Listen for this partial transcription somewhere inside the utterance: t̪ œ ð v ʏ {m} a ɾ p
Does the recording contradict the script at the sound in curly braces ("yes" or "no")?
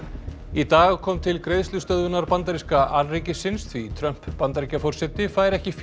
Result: yes